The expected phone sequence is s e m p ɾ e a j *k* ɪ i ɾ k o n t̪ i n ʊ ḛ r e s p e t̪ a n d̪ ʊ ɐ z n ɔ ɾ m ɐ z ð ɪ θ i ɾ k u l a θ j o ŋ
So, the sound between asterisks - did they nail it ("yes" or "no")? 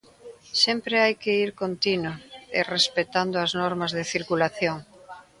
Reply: yes